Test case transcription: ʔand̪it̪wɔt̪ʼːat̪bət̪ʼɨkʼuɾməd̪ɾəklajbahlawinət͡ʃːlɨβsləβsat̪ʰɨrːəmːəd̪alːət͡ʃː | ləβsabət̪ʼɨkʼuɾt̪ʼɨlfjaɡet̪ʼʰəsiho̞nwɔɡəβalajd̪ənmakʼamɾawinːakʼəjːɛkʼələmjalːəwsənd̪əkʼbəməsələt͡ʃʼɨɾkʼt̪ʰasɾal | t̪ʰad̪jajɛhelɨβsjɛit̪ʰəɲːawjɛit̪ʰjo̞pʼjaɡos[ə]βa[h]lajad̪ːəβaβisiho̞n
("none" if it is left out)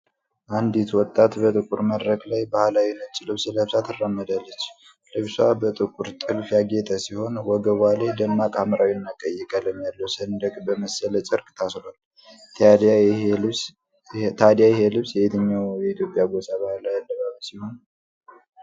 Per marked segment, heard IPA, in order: a, h

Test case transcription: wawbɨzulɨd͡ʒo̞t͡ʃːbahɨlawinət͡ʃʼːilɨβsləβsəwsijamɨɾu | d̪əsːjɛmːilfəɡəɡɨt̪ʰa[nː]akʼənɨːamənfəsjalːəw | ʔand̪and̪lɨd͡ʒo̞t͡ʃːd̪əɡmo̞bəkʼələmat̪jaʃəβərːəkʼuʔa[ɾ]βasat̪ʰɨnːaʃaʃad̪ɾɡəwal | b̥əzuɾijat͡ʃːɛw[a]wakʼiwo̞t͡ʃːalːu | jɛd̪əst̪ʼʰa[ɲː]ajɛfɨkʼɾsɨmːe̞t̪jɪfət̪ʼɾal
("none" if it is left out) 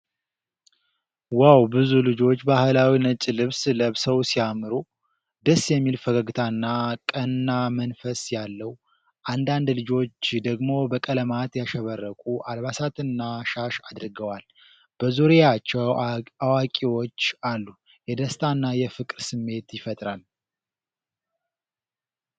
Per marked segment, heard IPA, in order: nː, l, a, nː

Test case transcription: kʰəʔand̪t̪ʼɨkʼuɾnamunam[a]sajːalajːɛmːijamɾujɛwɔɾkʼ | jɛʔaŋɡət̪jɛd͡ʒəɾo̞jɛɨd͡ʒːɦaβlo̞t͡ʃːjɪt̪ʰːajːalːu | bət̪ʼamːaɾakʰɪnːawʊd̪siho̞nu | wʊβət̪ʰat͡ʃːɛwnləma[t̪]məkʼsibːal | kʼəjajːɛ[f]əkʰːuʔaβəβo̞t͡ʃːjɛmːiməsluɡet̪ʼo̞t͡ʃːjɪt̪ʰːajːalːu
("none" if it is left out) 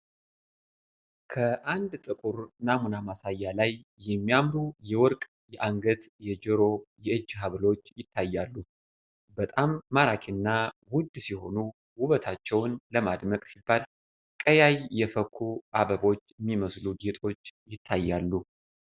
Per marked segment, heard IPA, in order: a, d̪, f

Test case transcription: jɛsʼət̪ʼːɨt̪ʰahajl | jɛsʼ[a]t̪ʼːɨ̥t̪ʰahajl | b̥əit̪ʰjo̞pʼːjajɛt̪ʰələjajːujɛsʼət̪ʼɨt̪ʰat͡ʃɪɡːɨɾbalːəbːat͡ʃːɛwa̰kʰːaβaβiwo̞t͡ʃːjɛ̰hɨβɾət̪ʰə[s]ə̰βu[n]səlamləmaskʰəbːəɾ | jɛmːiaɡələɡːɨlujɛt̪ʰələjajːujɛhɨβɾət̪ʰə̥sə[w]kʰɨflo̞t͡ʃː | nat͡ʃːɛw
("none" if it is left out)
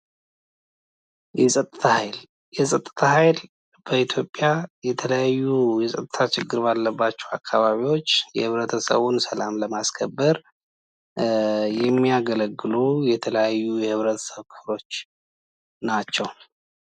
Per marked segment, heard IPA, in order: ə, s, n, β

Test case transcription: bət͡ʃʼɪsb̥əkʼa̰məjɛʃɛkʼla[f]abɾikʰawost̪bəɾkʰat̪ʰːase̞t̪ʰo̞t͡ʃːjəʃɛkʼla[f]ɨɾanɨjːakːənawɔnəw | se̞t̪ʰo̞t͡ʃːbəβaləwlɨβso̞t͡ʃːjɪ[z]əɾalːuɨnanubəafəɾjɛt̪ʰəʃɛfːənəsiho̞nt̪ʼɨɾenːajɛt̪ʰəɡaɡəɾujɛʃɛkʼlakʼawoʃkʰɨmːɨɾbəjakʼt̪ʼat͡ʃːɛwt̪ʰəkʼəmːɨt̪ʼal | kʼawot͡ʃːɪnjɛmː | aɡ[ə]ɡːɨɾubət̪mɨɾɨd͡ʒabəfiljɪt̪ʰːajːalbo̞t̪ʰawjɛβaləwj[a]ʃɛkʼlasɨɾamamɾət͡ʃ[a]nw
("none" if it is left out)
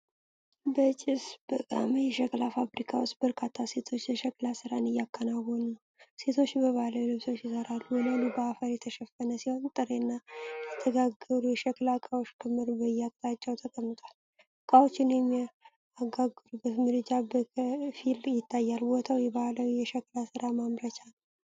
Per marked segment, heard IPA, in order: f, s, s, a, ɛ, a

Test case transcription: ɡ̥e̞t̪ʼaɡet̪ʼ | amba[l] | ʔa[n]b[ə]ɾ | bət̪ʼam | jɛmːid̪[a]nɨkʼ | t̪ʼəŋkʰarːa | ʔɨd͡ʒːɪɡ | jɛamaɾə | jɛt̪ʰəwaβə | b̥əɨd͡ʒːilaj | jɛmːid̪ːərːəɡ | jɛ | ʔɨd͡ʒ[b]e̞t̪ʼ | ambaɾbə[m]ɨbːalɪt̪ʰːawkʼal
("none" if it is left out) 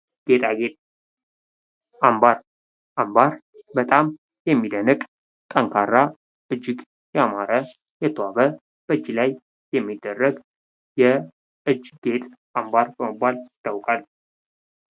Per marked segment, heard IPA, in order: ɾ, m, a, ə, ɡ, m

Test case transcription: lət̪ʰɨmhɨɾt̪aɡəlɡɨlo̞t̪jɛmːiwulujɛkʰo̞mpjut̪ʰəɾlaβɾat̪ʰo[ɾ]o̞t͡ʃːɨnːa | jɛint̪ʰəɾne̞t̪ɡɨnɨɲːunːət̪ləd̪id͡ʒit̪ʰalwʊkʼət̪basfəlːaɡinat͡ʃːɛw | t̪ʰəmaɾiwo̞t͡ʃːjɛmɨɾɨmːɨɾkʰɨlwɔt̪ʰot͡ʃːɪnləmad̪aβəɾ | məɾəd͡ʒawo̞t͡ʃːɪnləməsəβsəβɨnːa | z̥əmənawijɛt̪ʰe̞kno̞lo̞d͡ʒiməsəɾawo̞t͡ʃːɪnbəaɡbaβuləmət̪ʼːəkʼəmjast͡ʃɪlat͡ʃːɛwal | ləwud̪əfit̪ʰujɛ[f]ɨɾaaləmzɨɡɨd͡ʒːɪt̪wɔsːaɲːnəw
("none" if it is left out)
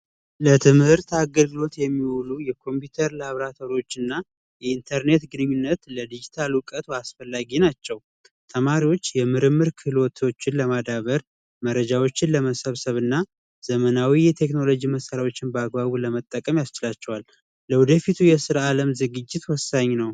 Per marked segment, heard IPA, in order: ɾ, s

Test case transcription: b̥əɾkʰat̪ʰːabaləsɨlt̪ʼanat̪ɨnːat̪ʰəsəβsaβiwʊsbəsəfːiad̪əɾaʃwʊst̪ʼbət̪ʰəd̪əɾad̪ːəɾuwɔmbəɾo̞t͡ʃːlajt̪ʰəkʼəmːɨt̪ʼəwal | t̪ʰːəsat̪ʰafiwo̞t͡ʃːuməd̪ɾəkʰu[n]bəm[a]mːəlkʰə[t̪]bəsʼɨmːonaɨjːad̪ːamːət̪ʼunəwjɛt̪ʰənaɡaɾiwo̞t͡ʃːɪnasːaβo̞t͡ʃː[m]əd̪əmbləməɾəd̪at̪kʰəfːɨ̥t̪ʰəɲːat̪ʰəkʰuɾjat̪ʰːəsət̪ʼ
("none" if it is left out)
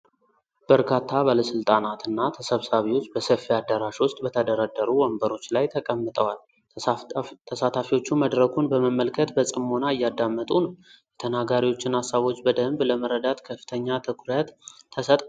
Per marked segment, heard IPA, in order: n, ə, t̪, b

